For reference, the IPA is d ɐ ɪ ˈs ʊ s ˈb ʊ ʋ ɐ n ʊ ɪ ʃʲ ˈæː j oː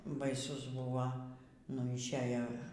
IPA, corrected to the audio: b ɐ ɪ ˈs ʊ s ˈb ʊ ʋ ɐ n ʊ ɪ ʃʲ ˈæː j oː